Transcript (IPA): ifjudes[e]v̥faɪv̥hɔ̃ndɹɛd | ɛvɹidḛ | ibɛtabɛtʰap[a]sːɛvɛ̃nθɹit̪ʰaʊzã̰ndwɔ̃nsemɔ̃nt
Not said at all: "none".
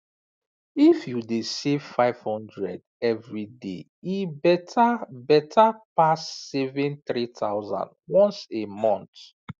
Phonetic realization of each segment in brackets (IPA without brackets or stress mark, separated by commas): e, a